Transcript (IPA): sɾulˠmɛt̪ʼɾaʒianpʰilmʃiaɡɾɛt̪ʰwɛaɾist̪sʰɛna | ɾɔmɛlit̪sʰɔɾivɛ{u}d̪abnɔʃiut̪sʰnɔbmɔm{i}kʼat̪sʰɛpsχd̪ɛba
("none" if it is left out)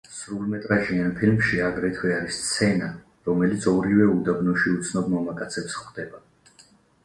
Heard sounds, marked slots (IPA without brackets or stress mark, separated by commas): u, a